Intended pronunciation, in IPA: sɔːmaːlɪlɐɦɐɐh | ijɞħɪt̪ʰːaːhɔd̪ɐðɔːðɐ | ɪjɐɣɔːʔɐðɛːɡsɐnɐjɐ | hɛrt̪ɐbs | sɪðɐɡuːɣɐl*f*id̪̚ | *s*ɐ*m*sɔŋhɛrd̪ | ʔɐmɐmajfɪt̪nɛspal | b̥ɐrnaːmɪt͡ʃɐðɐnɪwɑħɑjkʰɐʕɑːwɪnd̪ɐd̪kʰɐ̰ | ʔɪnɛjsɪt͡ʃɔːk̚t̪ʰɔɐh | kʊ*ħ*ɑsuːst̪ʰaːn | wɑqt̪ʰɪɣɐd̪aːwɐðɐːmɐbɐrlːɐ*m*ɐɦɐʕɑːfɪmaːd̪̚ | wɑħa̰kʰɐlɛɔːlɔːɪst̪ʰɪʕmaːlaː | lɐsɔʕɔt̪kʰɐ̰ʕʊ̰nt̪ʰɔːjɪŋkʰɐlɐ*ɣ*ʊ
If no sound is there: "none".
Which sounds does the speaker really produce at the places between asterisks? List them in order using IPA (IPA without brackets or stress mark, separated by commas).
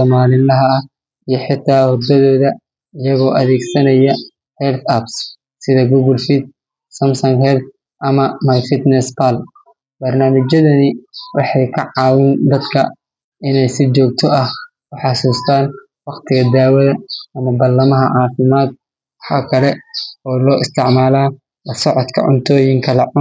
f, s, m, ħ, m, ʕ